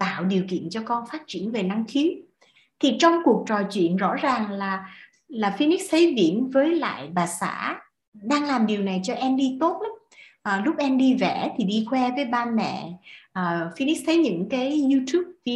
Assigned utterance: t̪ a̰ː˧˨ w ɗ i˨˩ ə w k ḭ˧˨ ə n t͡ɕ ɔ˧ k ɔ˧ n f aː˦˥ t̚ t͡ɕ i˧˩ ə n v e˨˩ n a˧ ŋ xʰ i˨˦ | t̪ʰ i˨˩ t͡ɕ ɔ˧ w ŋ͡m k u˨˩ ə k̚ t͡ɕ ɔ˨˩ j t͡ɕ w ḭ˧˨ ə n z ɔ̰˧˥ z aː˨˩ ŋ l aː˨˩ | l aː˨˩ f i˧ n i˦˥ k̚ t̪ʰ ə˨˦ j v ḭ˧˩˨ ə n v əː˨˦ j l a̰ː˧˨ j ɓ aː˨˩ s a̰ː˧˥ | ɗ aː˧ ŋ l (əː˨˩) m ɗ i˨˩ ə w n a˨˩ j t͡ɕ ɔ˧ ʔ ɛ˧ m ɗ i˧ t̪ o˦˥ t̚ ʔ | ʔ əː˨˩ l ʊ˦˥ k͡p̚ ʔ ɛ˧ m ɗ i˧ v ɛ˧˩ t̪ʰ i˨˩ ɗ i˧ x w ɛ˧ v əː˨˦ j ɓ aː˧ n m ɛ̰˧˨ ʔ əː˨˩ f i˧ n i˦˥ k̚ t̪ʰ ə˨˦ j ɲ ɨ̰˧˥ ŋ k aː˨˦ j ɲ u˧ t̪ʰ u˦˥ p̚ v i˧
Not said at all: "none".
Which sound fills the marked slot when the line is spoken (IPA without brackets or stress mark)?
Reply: aː˨˩